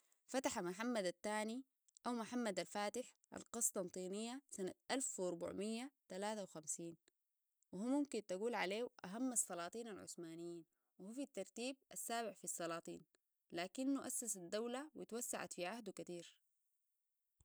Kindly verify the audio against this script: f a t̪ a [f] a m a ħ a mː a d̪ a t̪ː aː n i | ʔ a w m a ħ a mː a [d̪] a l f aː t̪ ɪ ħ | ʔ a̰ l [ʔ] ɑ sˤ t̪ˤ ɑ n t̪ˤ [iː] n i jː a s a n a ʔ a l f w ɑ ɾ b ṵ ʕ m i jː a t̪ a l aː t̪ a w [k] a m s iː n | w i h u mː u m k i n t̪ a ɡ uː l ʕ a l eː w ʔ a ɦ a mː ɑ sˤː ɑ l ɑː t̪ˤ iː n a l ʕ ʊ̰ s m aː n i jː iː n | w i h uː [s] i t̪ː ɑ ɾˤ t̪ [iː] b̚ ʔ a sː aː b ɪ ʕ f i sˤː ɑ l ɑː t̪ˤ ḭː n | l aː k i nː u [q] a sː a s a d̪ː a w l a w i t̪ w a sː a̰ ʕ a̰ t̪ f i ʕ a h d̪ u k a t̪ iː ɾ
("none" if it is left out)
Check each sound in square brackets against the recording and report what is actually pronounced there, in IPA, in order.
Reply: ħ, d̪, q, iː, x, f, iː, ʔ

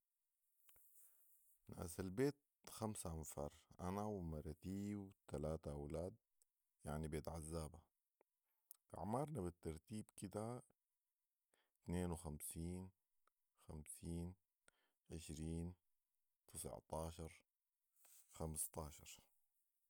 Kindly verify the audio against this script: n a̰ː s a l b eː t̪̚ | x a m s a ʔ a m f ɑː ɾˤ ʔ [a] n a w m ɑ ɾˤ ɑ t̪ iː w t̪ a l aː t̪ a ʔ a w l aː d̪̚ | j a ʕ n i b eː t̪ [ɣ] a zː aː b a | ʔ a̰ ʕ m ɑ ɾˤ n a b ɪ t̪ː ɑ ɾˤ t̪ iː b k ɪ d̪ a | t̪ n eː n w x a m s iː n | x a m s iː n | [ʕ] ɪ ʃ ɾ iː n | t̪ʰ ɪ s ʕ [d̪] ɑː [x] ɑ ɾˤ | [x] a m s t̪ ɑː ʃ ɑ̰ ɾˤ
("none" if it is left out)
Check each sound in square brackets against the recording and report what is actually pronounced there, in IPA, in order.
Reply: a, ʕ, ʕ, t̪, ʃ, x

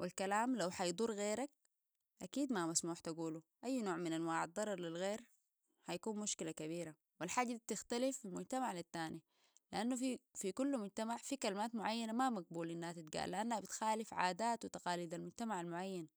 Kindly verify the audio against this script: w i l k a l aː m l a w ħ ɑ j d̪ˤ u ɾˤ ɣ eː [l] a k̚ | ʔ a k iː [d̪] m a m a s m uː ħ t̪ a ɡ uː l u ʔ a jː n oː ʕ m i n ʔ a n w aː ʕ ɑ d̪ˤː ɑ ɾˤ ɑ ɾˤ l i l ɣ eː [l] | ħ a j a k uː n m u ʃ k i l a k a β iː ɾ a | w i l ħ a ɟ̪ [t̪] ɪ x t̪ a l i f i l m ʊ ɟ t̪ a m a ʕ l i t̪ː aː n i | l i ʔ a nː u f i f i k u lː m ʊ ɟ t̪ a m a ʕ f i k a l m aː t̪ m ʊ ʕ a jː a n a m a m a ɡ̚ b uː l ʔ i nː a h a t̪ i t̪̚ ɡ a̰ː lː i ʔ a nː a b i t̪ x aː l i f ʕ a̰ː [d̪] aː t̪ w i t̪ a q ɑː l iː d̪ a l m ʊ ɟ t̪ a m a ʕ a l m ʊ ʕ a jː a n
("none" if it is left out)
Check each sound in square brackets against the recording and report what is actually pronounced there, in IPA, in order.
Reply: ɾ, d̪, ɾ, t̪, d̪

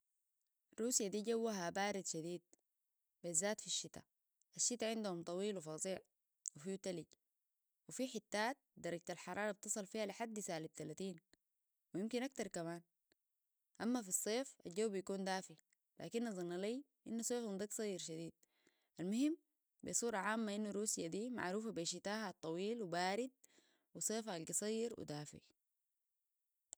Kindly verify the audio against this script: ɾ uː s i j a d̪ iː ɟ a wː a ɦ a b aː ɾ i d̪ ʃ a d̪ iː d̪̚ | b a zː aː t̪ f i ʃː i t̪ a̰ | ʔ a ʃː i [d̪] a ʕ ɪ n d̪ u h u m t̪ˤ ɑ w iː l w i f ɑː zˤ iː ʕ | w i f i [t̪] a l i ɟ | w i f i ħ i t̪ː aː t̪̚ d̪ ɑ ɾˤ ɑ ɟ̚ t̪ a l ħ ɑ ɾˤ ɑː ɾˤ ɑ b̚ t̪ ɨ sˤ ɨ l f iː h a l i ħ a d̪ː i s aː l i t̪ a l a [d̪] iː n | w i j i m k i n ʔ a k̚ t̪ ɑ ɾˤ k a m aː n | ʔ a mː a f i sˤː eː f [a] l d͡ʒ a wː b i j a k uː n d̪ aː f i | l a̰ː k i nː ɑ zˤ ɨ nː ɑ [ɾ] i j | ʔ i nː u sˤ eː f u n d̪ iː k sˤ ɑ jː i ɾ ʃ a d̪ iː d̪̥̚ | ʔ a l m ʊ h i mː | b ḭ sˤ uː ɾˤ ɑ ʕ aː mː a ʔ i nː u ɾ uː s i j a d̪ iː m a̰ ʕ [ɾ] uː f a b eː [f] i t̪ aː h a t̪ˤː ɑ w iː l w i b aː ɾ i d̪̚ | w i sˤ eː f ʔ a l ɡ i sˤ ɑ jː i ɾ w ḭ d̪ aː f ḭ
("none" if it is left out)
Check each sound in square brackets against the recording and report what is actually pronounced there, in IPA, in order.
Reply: t̪, t̪, t̪, a, l, ɾ, ʃ

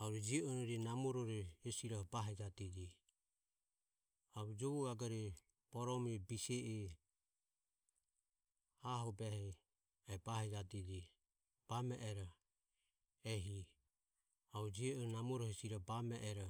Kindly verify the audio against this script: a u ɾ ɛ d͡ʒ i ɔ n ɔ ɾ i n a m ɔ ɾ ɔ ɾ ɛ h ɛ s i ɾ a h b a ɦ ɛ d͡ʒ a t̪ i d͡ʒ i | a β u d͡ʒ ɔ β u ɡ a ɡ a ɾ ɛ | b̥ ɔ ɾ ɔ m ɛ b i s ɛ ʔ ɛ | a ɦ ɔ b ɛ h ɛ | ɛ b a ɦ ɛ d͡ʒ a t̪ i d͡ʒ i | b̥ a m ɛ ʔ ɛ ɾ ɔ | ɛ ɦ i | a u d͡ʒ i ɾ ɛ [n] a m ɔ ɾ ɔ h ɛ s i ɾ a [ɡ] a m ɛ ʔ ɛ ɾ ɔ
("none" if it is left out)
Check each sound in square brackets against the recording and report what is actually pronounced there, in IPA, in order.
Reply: n, b

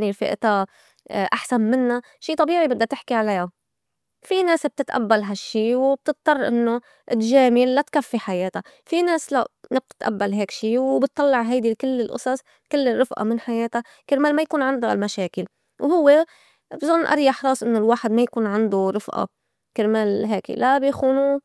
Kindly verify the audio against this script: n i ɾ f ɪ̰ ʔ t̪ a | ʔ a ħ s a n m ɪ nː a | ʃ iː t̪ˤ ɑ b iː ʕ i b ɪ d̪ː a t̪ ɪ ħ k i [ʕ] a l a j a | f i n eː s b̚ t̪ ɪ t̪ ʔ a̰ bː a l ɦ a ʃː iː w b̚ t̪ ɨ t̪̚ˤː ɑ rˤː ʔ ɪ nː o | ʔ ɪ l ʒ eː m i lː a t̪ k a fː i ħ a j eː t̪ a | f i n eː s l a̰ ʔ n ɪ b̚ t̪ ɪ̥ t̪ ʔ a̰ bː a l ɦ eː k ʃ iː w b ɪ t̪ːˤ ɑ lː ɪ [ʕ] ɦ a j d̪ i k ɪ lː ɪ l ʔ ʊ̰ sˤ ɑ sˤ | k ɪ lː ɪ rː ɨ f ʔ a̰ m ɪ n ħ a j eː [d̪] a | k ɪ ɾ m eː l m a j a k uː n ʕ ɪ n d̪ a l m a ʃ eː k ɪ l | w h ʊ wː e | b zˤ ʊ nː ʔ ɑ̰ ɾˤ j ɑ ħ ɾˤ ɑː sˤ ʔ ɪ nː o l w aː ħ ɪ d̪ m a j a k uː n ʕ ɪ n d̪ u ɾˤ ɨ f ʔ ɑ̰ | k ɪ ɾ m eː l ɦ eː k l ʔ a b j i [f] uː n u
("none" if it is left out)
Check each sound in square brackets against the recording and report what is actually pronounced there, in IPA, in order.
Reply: ʕ, ʕ, t̪, x

